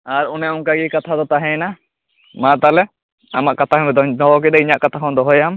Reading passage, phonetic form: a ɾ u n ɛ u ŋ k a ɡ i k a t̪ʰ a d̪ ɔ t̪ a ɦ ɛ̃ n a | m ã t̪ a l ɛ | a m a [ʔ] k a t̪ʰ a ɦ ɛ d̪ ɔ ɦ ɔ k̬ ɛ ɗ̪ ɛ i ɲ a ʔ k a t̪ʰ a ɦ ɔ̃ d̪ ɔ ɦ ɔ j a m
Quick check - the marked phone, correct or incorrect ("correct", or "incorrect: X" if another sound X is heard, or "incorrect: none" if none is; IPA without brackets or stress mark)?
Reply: correct